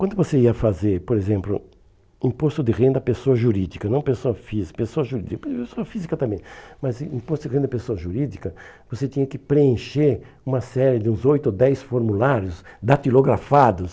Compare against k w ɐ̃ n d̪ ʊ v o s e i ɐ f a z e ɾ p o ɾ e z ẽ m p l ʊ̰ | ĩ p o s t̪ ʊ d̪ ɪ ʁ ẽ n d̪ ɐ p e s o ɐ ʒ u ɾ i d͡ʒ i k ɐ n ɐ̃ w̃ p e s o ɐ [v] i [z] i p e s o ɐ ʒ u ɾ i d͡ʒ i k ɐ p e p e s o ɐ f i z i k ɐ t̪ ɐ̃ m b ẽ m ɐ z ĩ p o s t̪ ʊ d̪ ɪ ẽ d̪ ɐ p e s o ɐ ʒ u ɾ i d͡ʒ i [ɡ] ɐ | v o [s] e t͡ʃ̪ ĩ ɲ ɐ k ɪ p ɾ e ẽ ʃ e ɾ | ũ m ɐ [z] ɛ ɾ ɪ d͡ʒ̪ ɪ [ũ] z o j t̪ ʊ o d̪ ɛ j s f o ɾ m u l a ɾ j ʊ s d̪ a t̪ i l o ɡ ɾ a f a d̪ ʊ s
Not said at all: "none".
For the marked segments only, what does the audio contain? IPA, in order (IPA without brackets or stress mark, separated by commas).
f, z, k, s, s, ũ